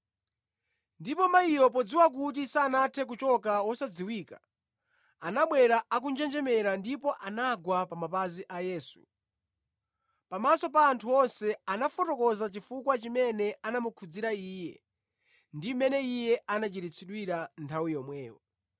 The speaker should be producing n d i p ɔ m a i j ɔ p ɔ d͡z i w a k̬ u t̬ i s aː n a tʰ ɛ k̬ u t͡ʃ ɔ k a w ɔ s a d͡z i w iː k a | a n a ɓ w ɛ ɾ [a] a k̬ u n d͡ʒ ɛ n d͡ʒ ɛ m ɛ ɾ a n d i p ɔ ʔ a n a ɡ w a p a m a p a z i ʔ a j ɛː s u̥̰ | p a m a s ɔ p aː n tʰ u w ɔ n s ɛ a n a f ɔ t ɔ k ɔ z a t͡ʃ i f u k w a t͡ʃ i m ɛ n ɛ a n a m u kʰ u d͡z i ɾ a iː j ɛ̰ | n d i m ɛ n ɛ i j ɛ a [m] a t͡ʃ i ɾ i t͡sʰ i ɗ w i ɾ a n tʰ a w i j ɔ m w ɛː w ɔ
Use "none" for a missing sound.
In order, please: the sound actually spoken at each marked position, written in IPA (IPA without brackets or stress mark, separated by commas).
a, n